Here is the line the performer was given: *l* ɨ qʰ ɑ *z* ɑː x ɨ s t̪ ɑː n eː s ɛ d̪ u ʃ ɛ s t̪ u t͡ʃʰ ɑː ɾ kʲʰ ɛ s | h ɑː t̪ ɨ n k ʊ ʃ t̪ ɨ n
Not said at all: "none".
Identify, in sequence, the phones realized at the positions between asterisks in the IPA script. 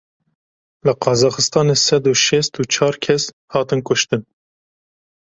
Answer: l, z

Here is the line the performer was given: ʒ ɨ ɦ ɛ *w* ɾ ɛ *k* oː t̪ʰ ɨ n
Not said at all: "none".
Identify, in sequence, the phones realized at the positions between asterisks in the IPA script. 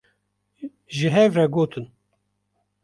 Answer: v, ɡ

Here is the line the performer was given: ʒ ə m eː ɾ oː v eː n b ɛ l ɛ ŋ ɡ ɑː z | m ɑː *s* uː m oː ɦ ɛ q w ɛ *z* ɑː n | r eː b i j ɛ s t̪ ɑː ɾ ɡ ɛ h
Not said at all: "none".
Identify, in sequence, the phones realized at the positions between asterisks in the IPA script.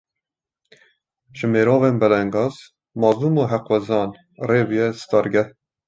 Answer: z, z

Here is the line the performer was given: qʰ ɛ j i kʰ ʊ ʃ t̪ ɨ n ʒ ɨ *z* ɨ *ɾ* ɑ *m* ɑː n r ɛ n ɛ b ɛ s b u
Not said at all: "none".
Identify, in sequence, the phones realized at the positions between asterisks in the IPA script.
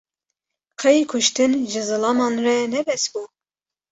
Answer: z, l, m

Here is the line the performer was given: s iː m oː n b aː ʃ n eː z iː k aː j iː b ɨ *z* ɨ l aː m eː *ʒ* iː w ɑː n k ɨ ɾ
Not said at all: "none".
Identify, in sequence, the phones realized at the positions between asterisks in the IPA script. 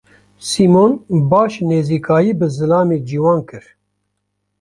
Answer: z, d͡ʒ

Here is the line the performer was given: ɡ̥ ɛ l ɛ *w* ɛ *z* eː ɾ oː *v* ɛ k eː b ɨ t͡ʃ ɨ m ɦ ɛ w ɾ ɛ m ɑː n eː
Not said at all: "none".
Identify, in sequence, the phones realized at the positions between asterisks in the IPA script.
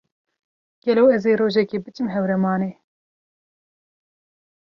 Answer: w, z, ʒ

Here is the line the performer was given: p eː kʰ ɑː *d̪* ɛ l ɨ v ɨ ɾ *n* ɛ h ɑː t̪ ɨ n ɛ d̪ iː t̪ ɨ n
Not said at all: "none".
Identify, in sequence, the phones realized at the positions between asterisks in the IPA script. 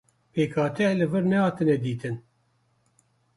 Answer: t̪, n

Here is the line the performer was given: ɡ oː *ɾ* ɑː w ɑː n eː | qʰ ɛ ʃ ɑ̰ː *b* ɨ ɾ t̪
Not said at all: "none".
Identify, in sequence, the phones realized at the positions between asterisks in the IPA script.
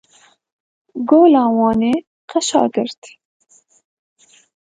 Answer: l, ɡ

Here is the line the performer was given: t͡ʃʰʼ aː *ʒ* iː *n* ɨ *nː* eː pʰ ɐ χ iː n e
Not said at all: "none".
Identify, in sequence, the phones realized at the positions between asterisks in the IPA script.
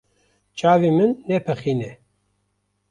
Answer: v, m, nː

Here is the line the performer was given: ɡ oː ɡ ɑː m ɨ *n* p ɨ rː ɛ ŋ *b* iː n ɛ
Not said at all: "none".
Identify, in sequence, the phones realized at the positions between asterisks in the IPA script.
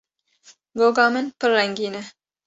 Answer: n, ɡ

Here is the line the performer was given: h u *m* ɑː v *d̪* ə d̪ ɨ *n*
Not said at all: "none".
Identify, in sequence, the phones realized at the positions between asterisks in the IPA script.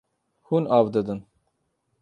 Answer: n, d̪, n

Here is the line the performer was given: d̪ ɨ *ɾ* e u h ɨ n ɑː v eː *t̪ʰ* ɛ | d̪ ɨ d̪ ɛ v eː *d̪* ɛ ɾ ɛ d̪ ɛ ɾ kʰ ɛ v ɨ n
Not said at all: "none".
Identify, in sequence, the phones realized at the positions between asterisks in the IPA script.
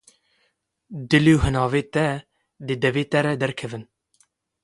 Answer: l, t̪, t̪

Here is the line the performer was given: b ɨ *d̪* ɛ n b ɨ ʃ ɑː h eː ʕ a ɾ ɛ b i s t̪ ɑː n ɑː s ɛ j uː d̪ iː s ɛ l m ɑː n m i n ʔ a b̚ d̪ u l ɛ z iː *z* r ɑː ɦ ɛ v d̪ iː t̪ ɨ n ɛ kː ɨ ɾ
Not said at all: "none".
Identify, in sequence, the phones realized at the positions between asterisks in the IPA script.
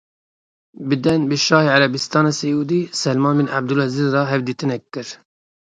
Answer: d̪, z

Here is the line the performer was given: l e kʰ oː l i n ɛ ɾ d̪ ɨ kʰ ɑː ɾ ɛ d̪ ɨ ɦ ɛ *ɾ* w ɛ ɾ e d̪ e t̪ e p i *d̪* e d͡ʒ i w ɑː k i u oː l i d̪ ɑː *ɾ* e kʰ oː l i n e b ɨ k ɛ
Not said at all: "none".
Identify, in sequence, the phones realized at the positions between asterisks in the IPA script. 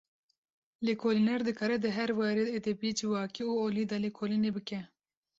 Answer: ɾ, none, l

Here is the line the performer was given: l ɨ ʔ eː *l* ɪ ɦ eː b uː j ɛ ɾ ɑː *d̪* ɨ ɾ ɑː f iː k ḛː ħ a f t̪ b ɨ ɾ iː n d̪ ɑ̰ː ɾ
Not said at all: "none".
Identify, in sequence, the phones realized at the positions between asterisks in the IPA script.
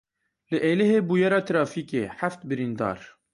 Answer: l, t̪

